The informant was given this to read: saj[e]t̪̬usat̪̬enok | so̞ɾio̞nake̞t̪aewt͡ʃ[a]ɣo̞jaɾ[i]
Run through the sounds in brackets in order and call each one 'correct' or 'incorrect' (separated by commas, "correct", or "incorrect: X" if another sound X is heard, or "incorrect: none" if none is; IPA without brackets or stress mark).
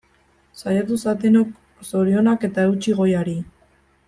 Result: incorrect: a, incorrect: i, correct